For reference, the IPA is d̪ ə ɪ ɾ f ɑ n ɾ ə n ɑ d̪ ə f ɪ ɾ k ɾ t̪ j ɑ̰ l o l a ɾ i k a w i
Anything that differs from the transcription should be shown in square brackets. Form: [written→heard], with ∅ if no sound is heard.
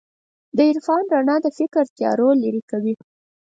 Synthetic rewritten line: d̪ ə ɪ ɾ f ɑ n ɾ [ə→a] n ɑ d̪ ə f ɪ [ɾ→∅] k ɾ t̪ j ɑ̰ [l→ɾ] o l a ɾ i k a w i